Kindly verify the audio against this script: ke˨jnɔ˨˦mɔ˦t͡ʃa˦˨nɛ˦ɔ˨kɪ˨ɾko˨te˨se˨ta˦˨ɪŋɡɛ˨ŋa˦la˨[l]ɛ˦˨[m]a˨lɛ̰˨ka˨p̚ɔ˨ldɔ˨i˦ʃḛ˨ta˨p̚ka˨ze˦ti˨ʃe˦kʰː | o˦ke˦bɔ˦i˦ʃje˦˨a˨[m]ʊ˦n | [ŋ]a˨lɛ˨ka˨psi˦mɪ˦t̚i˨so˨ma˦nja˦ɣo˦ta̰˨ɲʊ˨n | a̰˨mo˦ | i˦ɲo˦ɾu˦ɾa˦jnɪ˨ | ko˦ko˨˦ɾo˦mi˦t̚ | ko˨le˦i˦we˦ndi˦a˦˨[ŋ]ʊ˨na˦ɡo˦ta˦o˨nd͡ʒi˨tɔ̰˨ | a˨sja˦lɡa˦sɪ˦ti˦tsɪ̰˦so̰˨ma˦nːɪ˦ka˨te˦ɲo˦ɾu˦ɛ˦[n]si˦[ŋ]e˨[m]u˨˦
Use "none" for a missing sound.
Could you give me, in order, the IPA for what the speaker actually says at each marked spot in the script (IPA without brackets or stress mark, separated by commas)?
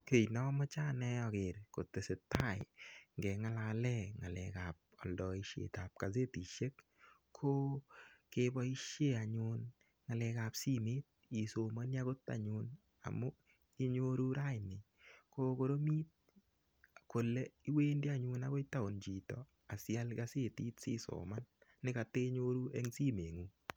l, ŋ, ɲ, ŋ, ɲ, ŋ, m, ŋ